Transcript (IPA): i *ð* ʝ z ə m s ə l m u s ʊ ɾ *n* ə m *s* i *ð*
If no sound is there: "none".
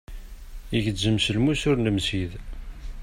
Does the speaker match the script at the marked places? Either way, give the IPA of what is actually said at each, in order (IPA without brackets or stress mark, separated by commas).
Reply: none, n, s, ð